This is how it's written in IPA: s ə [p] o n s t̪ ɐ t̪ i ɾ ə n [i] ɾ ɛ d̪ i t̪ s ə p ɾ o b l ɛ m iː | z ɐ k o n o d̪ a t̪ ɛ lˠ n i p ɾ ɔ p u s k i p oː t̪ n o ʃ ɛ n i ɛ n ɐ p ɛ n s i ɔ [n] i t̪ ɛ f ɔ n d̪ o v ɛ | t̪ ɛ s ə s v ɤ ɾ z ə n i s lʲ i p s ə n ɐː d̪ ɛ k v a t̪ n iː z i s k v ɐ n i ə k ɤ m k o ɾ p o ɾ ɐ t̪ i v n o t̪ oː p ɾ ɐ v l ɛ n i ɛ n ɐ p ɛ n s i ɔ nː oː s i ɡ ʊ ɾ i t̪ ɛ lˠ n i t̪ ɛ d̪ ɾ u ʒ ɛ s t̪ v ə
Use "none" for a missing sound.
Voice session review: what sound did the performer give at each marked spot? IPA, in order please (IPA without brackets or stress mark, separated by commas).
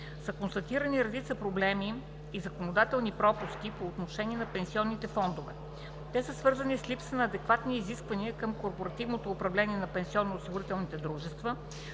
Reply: k, i, nː